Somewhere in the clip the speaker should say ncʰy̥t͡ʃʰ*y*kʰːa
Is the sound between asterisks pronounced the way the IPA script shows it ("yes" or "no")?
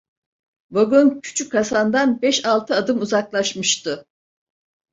yes